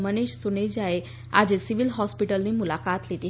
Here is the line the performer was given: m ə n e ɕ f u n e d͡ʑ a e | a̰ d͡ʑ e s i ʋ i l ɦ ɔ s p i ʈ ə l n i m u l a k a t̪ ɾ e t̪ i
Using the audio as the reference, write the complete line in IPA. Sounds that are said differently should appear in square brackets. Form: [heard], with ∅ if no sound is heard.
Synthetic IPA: m ə n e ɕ [s] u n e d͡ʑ a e | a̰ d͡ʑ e s i ʋ i l ɦ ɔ s p i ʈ ə l n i m u l a k a t̪ [l] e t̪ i